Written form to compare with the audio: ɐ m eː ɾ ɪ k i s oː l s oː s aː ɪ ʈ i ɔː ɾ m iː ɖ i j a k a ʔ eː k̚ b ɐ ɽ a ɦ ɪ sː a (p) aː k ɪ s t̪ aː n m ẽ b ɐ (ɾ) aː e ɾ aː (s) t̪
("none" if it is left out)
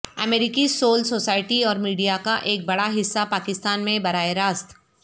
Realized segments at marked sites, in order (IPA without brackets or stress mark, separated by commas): p, ɾ, s